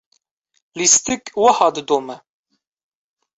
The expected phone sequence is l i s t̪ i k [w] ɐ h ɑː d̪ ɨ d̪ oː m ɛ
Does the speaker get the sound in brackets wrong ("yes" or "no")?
no